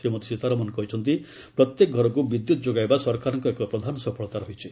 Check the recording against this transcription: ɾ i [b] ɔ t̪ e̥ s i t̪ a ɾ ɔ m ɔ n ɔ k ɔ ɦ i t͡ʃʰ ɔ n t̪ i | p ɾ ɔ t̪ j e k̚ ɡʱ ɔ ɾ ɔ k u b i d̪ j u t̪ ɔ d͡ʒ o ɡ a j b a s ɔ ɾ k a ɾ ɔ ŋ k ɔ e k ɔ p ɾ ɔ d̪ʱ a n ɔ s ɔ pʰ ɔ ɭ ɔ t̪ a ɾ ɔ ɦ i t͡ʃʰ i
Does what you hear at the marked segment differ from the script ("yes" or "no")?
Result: yes